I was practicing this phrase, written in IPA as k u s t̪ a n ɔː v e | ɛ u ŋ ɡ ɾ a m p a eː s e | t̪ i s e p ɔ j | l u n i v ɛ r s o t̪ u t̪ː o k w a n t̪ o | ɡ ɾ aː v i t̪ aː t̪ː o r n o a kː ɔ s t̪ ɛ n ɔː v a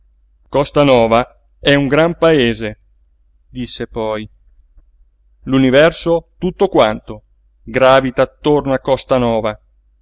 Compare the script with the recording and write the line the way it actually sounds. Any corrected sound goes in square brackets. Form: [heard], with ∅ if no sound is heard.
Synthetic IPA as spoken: k [ɔ] s t̪ a n ɔː v [a] | ɛ u ŋ ɡ ɾ a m p a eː [z] e | [d̪] i [sː] e p ɔ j | l u n i v ɛ r s o t̪ u t̪ː o k w a n t̪ o | ɡ ɾ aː v i t̪ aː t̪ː o r n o a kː ɔ s t̪ [a] n ɔː v a